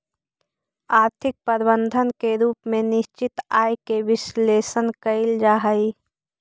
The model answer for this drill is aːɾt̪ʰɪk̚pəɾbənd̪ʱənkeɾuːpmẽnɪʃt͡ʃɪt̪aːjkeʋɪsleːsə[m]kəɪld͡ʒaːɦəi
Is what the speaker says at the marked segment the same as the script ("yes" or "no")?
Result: no